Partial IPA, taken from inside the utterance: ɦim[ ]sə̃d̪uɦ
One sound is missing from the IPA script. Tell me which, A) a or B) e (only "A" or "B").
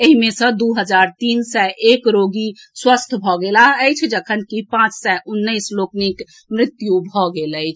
B